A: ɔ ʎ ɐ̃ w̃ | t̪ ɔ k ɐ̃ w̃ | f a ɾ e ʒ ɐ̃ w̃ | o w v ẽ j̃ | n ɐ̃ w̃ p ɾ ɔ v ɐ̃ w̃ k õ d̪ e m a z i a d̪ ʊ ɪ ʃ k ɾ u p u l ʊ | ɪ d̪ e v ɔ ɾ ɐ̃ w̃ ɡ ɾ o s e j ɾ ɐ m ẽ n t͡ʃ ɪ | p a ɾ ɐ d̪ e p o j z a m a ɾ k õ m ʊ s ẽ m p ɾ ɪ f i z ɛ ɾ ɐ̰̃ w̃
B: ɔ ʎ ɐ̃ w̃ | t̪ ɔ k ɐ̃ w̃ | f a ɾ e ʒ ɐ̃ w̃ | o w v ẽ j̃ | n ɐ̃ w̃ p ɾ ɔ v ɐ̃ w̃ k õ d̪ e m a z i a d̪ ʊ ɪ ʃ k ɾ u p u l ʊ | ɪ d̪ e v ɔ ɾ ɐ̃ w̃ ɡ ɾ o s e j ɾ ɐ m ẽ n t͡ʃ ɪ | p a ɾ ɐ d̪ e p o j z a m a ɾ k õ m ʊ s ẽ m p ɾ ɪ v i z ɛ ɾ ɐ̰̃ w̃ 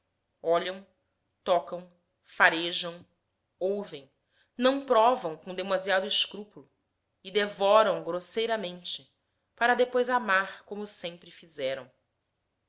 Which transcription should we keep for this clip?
A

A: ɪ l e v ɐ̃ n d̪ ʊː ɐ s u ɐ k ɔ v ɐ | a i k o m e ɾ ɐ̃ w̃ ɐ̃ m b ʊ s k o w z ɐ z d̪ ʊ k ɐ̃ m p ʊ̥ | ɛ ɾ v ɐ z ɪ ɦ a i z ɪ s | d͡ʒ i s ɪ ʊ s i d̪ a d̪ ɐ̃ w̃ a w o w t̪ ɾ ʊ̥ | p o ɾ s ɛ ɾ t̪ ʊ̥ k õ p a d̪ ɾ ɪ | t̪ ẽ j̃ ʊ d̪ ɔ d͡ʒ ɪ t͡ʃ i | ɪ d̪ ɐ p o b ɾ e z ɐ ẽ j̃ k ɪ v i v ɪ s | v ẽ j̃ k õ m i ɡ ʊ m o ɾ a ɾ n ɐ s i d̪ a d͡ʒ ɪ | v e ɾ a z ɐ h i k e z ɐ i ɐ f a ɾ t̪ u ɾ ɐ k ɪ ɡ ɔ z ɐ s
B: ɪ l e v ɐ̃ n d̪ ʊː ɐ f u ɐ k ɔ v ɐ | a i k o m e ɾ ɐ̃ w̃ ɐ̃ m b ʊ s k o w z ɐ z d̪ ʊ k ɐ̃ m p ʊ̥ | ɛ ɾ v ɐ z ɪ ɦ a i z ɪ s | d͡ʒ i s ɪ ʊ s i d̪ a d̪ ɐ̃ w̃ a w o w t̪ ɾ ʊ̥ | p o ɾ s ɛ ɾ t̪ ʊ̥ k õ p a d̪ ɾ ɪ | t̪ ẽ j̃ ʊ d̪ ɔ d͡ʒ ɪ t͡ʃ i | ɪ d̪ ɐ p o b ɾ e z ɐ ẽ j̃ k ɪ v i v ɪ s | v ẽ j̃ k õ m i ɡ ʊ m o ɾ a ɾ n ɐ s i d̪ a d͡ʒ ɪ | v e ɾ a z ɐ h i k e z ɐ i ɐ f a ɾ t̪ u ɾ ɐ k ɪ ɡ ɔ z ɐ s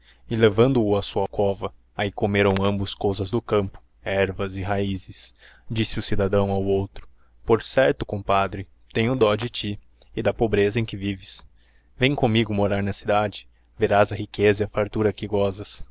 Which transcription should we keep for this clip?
A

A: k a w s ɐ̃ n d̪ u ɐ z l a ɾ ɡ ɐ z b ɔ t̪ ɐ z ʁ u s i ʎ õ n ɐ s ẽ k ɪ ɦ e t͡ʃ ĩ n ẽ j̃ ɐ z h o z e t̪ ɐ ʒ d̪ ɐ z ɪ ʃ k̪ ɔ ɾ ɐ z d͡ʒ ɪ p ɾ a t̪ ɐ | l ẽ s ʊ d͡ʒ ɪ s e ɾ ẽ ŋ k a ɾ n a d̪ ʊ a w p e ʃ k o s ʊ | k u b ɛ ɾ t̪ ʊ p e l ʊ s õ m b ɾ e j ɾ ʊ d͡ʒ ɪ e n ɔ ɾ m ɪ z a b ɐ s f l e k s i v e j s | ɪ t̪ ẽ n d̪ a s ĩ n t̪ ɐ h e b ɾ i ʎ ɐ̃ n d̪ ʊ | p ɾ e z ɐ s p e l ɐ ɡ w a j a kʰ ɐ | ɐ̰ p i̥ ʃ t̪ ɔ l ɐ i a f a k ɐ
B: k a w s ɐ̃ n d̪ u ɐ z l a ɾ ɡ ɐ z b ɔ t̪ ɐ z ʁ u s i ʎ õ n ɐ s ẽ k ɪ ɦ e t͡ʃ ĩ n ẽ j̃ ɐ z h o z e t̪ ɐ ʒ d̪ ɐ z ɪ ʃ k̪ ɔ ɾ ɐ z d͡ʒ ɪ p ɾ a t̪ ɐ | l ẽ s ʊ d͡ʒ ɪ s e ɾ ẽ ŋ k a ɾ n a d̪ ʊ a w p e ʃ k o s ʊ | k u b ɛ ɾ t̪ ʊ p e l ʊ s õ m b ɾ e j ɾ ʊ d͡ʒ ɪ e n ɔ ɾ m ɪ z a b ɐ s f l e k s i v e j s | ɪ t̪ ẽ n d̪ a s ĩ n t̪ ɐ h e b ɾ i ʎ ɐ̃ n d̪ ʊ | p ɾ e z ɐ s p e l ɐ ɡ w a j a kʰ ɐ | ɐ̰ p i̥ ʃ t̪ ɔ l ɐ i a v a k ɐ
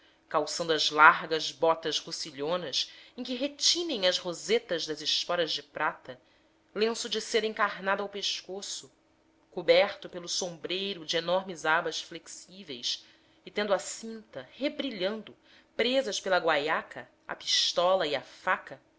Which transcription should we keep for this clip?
A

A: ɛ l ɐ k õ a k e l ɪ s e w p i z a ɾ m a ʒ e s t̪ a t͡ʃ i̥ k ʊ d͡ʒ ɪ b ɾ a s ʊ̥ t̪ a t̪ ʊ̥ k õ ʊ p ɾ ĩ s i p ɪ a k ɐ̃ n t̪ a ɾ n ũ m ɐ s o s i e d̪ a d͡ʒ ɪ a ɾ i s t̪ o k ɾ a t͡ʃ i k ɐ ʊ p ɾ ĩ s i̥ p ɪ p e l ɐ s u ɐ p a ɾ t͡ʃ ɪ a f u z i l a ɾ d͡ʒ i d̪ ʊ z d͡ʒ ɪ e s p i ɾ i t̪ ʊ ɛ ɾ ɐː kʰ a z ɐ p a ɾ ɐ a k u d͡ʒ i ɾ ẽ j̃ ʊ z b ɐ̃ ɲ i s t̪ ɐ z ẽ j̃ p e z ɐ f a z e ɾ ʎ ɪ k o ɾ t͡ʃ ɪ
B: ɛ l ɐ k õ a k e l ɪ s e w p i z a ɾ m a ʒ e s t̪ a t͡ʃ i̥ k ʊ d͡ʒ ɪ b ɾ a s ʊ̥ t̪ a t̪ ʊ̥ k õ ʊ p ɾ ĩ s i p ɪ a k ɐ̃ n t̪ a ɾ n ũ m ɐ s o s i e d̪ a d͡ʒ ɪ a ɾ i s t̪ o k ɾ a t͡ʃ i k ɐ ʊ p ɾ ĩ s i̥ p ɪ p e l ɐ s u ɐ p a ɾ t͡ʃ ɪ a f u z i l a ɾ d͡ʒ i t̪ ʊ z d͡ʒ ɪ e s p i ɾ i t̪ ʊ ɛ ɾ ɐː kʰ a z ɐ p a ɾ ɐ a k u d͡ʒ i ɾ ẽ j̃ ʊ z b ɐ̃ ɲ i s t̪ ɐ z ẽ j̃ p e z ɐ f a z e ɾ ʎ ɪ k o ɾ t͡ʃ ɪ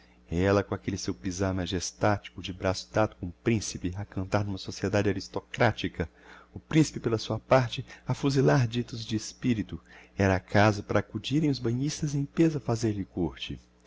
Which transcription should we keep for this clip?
B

